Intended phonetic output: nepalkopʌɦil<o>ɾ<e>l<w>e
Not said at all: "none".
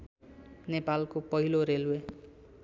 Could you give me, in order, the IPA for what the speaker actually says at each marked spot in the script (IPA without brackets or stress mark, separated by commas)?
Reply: o, e, w